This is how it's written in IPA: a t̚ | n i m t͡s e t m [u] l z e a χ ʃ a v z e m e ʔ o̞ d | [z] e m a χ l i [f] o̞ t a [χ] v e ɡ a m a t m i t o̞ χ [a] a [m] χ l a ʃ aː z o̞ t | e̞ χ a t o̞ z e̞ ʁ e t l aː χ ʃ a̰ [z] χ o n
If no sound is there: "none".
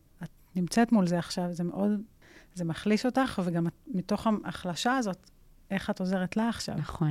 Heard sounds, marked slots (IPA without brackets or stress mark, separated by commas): u, z, ʃ, χ, a, none, v